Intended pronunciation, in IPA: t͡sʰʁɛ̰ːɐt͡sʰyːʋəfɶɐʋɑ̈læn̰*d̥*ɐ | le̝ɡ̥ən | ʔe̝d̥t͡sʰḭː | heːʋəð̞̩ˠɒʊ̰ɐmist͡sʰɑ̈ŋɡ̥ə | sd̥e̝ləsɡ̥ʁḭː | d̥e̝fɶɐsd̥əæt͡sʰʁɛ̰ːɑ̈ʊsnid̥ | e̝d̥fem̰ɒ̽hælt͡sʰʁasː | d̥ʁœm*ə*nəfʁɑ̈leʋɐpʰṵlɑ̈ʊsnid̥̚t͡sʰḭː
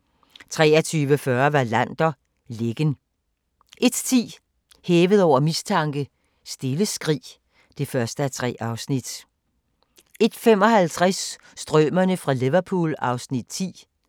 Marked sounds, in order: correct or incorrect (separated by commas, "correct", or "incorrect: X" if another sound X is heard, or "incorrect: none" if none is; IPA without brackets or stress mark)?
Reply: correct, incorrect: ɐ